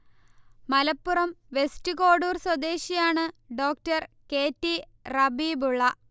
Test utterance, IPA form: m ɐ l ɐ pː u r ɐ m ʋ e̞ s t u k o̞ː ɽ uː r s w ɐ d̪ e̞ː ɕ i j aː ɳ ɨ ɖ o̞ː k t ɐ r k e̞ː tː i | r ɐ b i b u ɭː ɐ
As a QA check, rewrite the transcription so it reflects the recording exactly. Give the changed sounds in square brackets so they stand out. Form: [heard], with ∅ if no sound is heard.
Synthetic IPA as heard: m ɐ l ɐ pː u r ɐ m ʋ e̞ s t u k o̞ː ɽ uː r s w ɐ d̪ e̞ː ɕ i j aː ɳ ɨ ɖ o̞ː k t ɐ r k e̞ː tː i | r ɐ b i b u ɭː ɐ